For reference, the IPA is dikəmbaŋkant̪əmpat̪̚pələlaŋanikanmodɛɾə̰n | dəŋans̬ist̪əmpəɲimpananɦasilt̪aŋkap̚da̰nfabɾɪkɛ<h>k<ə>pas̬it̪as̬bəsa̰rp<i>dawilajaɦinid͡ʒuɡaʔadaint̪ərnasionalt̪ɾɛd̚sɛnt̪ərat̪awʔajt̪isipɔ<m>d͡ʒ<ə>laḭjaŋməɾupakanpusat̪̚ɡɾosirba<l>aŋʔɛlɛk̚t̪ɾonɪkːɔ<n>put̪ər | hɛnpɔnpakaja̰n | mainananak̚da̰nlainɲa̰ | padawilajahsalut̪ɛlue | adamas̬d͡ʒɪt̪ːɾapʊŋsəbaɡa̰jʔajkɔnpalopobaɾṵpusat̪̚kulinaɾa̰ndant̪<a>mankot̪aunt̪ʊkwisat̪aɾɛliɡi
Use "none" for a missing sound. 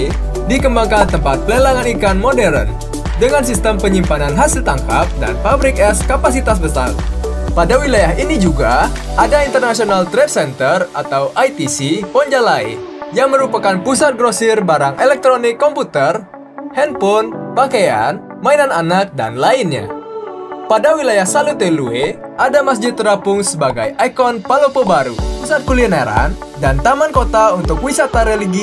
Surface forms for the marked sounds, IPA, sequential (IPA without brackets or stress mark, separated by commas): s, a, a, ɲ, a, ɾ, m, a